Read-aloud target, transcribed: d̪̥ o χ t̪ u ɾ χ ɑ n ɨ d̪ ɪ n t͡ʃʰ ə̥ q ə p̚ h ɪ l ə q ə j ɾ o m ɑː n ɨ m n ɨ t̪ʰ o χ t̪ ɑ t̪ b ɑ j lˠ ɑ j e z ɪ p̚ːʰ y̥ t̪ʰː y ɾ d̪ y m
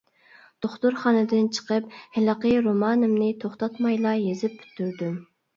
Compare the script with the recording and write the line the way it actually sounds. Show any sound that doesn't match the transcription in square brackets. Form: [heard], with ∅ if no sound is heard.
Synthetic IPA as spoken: d̪̥ o χ t̪ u ɾ χ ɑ n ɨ d̪ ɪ n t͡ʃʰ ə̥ q ə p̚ h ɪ l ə q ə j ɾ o m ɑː n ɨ m n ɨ t̪ʰ o χ t̪ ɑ t̪ [m] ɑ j lˠ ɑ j e z ɪ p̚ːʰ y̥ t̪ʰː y ɾ d̪ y m